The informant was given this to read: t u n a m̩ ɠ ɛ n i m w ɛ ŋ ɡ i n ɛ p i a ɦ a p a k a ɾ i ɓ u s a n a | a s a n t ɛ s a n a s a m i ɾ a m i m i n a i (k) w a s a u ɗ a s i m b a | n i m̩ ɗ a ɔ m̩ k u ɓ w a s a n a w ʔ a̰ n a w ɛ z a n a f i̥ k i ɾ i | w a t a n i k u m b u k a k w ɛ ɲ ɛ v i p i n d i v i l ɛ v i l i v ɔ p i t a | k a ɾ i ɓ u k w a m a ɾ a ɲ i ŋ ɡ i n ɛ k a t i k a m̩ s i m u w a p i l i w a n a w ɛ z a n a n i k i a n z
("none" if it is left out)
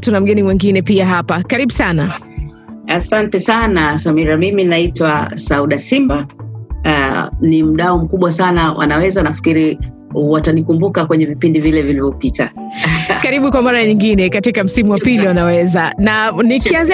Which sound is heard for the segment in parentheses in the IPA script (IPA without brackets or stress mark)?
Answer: t